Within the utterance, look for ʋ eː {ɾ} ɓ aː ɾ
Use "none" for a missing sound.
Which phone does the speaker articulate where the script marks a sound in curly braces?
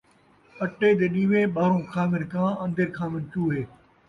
none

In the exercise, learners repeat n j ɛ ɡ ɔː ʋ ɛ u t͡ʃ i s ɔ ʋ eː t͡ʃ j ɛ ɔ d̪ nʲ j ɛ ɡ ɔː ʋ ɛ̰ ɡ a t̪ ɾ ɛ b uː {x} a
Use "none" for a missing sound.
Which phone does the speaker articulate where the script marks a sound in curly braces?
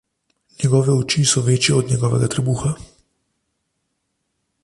x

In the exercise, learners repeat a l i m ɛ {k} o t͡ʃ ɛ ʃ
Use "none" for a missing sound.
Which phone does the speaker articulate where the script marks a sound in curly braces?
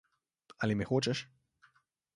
x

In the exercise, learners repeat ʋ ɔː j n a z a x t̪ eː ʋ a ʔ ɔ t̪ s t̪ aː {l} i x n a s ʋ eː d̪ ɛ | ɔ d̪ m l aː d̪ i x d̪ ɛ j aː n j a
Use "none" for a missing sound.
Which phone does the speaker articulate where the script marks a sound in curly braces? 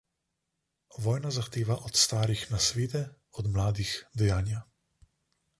ɾ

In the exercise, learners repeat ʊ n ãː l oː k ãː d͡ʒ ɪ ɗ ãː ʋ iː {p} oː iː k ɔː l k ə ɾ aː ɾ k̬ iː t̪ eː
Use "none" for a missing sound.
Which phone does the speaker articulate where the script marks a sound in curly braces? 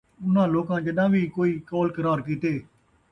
k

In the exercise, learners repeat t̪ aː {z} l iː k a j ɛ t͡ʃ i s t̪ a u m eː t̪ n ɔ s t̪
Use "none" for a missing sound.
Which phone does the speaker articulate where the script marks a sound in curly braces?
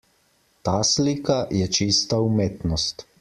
s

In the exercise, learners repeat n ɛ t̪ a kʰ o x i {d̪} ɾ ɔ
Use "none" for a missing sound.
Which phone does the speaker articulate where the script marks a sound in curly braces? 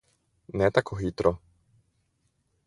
t̪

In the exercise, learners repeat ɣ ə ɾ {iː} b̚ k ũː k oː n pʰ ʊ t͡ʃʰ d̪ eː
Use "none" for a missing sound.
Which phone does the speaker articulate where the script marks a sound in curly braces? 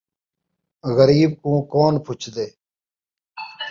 iː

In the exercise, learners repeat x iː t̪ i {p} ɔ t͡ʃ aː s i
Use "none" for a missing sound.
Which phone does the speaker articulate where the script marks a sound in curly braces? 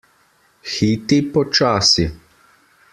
p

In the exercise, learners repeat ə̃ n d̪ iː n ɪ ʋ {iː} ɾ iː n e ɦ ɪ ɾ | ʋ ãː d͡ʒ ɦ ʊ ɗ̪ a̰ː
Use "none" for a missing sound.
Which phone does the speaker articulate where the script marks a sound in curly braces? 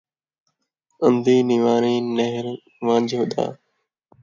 aː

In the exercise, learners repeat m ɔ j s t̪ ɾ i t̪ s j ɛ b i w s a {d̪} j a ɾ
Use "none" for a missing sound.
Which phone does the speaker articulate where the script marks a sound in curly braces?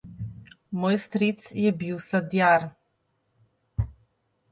d̪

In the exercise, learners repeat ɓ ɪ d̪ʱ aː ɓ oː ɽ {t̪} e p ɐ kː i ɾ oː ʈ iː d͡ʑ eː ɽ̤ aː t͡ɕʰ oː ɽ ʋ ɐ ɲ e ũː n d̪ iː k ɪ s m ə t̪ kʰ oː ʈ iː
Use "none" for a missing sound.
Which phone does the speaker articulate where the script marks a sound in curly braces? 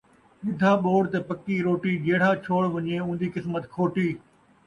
t̪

